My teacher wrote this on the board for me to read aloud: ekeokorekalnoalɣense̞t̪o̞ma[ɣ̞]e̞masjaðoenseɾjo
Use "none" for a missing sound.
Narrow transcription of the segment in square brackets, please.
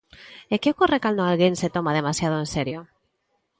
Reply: ð̞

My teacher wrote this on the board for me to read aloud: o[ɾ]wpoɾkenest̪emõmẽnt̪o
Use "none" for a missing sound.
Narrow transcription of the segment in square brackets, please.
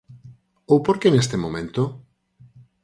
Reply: none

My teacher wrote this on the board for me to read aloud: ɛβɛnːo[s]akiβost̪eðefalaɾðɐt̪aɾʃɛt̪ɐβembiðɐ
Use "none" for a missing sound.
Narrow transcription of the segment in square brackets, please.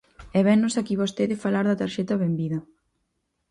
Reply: s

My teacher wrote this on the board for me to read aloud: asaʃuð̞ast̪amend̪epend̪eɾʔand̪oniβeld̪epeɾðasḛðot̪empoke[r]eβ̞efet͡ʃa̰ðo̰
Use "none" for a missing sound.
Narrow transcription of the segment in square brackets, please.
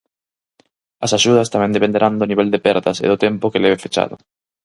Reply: l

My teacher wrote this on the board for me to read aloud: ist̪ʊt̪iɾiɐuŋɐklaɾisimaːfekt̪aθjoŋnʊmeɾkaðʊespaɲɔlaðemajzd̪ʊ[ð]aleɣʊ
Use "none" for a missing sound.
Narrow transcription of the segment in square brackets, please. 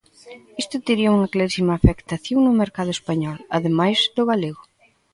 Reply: ɣ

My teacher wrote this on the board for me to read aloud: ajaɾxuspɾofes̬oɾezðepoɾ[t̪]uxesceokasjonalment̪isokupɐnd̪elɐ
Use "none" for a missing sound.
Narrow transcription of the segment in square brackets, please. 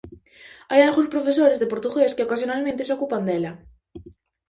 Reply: t̪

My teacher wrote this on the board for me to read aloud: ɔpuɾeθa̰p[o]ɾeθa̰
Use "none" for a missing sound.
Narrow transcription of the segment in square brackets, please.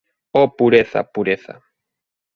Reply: u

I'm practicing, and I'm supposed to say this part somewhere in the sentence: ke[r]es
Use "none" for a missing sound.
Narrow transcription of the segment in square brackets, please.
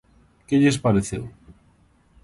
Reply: ʎ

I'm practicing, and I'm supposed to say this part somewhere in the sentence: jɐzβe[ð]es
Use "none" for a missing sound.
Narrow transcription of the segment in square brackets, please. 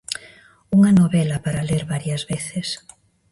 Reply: θ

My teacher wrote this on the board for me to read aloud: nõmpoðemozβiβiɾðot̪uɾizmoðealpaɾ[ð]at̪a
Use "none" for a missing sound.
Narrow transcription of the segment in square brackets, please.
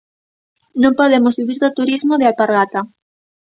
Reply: ɣ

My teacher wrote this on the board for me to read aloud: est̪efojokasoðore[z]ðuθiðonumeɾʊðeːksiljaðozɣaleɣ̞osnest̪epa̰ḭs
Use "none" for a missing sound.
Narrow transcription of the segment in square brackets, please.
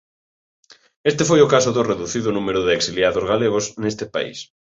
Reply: none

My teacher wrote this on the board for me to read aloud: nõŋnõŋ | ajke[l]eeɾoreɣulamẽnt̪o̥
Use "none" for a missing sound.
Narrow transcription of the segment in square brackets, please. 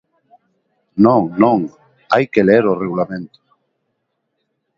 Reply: l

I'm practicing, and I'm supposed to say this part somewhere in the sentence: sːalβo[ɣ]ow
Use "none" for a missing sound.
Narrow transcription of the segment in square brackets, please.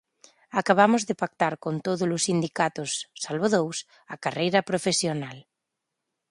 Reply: ð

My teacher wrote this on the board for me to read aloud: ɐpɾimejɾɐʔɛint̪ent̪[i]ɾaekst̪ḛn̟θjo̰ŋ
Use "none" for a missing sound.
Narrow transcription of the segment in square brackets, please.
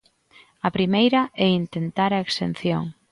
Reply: a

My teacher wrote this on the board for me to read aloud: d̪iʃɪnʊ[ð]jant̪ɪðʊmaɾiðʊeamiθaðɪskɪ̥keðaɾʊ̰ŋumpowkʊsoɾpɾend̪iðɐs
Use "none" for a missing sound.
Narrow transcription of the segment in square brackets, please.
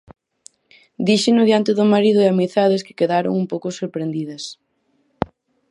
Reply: ð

